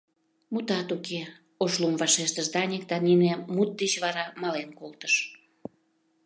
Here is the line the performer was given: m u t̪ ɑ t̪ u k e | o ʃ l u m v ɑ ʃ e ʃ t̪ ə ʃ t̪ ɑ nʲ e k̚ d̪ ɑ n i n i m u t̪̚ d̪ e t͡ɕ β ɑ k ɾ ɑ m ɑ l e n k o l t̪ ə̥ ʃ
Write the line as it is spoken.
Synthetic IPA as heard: m u t̪ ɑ t̪ u k e | o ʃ l u m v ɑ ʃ e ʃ t̪ ə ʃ d̪ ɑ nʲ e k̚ d̪ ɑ n i n e m u t̪̚ d̪ e t͡ɕ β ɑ ɾ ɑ m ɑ l e n k o l t̪ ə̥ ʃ